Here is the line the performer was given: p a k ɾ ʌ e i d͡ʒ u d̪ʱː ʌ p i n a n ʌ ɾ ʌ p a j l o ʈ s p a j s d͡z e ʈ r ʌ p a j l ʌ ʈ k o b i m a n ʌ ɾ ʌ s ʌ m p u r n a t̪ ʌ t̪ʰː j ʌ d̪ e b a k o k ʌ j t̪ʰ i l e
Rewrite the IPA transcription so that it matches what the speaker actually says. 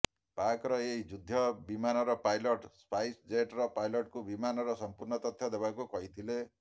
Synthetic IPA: p a k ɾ ʌ e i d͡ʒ u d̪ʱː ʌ b i m a n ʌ ɾ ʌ p a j l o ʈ s p a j s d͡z e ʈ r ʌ p a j l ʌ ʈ k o b i m a n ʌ ɾ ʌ s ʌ m p u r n ʌ t̪ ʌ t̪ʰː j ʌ d̪ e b a k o k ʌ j t̪ʰ i l e